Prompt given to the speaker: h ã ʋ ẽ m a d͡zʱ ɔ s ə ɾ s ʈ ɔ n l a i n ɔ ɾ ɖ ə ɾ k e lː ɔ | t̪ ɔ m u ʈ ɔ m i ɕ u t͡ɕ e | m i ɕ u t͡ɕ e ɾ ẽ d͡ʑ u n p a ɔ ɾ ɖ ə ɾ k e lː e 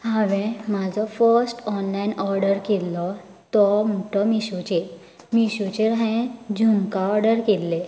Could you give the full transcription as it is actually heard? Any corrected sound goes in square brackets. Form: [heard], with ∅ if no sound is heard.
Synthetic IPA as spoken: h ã ʋ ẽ m a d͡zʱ ɔ [f] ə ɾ s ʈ ɔ n l a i n ɔ ɾ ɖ ə ɾ k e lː ɔ | t̪ ɔ m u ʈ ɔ m i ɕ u t͡ɕ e | m i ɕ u t͡ɕ e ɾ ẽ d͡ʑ u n [k] a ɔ ɾ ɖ ə ɾ k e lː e